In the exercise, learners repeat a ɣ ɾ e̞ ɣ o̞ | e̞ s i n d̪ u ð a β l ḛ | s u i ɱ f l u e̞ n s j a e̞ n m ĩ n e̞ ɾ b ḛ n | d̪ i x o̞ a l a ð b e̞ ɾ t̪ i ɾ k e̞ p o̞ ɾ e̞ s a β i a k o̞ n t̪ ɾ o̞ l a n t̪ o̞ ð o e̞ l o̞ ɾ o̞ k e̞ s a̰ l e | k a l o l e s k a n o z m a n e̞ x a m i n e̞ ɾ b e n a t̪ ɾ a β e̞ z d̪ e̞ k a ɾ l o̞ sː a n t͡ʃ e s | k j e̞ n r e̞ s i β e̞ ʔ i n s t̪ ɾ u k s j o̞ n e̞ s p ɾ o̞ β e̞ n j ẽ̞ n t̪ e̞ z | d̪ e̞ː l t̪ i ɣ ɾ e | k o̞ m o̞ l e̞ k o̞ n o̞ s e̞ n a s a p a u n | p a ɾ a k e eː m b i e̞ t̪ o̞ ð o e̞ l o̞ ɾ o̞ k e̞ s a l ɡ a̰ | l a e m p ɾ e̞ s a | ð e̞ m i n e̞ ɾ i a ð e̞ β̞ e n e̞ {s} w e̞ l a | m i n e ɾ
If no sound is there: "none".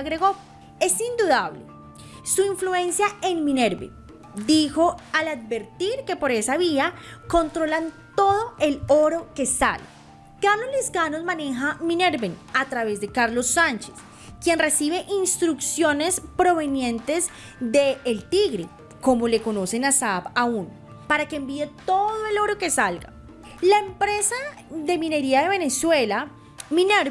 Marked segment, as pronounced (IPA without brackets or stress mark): s